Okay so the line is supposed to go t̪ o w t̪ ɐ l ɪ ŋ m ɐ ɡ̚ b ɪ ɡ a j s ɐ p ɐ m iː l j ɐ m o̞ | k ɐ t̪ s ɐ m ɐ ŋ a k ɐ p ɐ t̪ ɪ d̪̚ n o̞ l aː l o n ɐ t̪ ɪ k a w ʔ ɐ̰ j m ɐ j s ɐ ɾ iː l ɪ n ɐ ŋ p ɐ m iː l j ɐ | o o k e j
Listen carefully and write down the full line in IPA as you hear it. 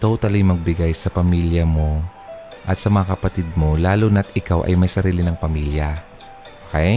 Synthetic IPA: t̪ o w t̪ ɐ l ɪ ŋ m ɐ ɡ̚ b ɪ ɡ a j s ɐ p ɐ m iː l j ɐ m o̞ | ʔ ɐ t̪ s ɐ m ɐ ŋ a k ɐ p ɐ t̪ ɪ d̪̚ m o̞ l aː l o n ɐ t̪ ɪ k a w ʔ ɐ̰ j m ɐ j s ɐ ɾ iː l ɪ n ɐ ŋ p ɐ m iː l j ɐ | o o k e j